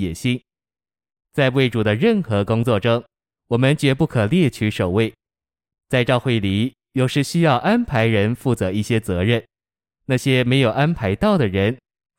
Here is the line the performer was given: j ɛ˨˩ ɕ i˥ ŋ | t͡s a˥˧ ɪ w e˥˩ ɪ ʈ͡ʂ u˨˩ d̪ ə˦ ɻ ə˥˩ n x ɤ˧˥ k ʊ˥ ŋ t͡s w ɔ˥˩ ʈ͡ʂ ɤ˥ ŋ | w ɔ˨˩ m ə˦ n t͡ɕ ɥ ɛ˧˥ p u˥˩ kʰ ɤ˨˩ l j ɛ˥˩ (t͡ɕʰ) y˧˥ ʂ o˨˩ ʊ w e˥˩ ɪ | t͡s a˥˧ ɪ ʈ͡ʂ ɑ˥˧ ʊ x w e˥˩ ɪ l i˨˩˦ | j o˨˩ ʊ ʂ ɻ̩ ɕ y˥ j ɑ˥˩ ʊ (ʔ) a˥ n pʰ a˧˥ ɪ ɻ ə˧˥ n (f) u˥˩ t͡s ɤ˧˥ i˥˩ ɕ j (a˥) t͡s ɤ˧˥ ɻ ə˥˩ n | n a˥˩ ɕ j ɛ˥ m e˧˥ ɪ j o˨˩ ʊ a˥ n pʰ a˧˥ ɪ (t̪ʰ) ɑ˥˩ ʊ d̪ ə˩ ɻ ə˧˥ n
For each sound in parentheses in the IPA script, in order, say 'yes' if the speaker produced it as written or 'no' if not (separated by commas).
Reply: yes, yes, yes, no, no